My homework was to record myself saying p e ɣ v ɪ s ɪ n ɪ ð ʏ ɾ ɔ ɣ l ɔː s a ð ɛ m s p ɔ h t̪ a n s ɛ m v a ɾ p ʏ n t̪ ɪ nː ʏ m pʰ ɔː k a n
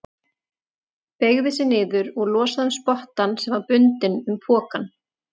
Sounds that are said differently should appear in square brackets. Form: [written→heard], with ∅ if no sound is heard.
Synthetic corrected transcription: p e ɣ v ɪ s ɪ n [ɪ→ɪː] ð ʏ ɾ ɔ ɣ l ɔː s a ð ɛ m s p ɔ h t̪ a n s ɛ m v a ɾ p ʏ n t̪ ɪ [nː→n] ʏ m pʰ ɔː k a n